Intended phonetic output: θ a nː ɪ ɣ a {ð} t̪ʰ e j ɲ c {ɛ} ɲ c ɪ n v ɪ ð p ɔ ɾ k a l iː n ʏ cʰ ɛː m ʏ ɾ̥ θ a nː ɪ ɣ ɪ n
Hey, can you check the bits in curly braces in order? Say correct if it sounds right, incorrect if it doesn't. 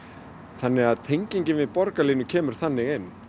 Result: correct, incorrect

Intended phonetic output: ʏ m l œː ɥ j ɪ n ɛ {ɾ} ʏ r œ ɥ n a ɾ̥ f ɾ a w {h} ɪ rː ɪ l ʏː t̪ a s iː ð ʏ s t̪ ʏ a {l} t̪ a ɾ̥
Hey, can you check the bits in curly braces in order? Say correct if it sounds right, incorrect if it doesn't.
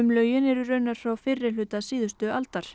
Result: correct, incorrect, correct

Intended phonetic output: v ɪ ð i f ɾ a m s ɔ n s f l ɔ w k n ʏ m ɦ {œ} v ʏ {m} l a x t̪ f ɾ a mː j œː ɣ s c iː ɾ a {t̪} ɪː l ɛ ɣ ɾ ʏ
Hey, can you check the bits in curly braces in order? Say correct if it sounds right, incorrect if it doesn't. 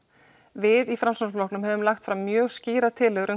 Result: incorrect, correct, incorrect

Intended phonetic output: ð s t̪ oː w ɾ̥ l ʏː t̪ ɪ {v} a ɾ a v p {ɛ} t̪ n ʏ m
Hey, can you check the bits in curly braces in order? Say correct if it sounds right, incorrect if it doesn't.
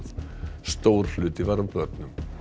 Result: correct, incorrect

